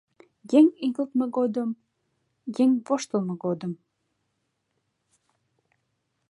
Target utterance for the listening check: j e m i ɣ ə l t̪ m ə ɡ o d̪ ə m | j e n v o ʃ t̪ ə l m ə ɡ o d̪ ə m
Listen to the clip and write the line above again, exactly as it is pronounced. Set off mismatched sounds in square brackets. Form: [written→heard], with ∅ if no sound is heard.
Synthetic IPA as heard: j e [m→ŋ] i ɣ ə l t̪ m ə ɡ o d̪ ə m | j e [n→ŋ] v o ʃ t̪ ə l m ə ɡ o d̪ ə m